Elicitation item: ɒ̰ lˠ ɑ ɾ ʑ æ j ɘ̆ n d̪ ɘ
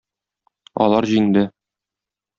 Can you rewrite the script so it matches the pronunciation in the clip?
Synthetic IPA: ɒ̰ lˠ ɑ ɾ ʑ i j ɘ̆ n d̪ ɘ

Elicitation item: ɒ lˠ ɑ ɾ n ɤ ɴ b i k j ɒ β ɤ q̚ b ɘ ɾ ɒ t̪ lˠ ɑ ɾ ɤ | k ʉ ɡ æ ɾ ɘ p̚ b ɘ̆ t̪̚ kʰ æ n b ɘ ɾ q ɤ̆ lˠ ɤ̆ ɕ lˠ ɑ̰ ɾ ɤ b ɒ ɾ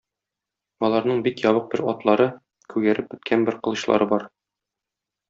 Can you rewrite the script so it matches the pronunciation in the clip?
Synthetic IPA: ɒ lˠ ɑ ɾ n ɤ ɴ b i k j ɒ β ɤ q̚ b ɘ ɾ ɒ t̪ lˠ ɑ ɾ ɤ | k ʉ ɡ æ ɾ ɘ p̚ b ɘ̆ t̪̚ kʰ æ n b ɘ ɾ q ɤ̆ lˠ ɤ̆ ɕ lˠ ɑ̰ ɾ ɤ b ɒ ɾ

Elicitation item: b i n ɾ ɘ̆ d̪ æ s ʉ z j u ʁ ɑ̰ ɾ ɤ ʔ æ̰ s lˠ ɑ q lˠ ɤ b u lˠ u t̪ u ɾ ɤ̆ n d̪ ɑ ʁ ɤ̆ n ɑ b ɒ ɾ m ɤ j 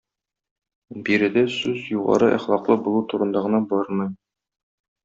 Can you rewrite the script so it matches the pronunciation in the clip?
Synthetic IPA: b i ɾ ɘ̆ d̪ æ s ʉ z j u ʁ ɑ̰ ɾ ɤ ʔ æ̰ χ lˠ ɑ q lˠ ɤ b u lˠ u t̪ u ɾ ɤ̆ n d̪ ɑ ʁ ɤ̆ n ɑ b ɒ ɾ m ɤ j

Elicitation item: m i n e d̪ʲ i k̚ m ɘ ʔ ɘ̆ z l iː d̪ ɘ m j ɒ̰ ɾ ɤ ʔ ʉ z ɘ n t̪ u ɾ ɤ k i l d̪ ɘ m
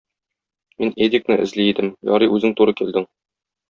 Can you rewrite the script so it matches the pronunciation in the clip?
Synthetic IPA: m i n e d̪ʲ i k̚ n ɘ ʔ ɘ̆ z l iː d̪ ɘ m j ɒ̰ ɾ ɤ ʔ ʉ z ɘ ŋ t̪ u ɾ ɤ k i l d̪ ɘ ŋ

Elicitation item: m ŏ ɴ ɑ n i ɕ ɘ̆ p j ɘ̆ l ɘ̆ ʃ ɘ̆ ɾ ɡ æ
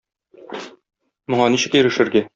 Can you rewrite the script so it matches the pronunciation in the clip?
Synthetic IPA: m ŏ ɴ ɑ n i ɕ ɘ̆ k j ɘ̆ ɾ ɘ̆ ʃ ɘ̆ ɾ ɡ æ

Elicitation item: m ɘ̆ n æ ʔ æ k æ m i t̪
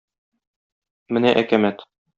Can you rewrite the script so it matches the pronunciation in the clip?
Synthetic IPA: m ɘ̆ n æ ʔ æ k æ m æ t̪

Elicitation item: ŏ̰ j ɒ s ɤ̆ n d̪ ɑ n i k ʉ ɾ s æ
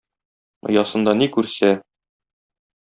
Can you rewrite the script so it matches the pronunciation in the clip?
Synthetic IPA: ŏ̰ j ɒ s ɤ̆ n d̪ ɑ n i k ʉ ɾ s æ

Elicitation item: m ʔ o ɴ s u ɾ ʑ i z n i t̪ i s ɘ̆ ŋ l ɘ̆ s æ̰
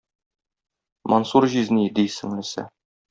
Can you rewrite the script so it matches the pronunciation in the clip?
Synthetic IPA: m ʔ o n s u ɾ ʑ i z n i d̪ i s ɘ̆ ŋ l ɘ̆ s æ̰

